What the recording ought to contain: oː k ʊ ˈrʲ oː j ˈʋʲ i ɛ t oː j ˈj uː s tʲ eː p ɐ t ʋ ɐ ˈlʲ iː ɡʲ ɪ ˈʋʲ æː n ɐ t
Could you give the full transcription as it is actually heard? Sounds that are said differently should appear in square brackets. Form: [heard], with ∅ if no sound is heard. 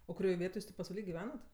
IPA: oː k ʊ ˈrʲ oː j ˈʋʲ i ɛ t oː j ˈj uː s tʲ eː p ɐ [s] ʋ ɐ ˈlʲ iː ɡʲ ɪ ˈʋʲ æː n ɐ t